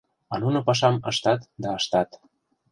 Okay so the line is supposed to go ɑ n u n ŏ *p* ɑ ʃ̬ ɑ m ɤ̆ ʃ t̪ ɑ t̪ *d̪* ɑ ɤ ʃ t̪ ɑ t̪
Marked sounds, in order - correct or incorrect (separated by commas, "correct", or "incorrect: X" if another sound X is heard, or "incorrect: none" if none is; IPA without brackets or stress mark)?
correct, correct